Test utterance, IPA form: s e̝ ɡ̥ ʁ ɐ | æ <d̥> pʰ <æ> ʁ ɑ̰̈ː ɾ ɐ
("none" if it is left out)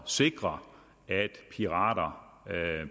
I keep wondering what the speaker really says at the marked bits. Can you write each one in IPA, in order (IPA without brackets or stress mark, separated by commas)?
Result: d̥, i